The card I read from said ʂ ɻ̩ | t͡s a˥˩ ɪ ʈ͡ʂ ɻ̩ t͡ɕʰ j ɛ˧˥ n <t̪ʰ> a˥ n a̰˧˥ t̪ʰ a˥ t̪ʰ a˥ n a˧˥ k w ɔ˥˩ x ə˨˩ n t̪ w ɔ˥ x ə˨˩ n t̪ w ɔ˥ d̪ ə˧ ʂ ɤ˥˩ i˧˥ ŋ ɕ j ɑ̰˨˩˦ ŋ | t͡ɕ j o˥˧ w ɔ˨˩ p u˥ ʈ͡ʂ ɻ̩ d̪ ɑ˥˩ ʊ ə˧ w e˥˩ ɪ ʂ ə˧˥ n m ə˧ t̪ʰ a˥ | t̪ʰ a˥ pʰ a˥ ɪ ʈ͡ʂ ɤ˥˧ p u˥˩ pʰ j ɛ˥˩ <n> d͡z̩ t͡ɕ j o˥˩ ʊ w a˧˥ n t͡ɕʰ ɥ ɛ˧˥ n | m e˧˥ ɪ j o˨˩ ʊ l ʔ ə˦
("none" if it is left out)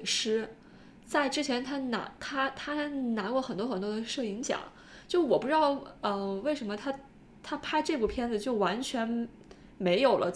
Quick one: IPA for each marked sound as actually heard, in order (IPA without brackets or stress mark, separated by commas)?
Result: t̪ʰ, n